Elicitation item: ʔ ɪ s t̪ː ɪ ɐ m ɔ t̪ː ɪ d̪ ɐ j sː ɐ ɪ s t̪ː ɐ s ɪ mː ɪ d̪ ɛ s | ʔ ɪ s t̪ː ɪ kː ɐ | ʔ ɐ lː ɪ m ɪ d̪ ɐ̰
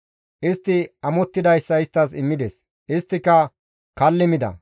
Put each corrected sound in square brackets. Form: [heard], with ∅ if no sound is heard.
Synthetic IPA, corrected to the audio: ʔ ɪ s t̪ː ɪ ɐ m ɔ t̪ː ɪ d̪ ɐ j sː ɐ ɪ s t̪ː ɐ s ɪ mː ɪ d̪ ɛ s | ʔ ɪ s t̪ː ɪ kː ɐ | [k] ɐ lː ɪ m ɪ d̪ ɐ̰